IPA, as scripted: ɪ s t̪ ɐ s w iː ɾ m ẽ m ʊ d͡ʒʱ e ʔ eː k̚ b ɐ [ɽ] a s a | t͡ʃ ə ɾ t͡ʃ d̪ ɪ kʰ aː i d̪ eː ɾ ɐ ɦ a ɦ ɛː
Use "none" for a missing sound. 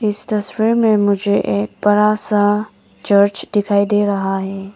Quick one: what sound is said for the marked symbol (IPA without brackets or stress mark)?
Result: ɾ